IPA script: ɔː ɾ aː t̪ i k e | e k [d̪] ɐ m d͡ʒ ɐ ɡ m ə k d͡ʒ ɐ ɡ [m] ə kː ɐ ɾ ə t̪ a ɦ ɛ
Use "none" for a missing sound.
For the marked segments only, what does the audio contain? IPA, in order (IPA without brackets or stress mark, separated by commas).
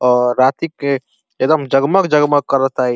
d̪, m